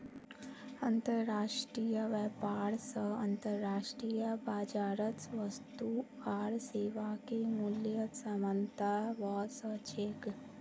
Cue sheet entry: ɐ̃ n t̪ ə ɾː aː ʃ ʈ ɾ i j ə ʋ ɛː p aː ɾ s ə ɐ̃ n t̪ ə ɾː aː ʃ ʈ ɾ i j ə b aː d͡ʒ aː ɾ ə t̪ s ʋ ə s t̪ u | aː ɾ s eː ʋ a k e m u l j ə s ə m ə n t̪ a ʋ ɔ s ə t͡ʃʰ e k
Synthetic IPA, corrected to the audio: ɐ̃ n t̪ ə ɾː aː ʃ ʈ ɾ i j ə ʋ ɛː p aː ɾ s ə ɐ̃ n t̪ ə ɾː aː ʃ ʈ ɾ i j ə b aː d͡ʒ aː ɾ ə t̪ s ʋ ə s t̪ u | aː ɾ s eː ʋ a k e m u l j ə s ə m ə n t̪ a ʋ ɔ s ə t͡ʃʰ e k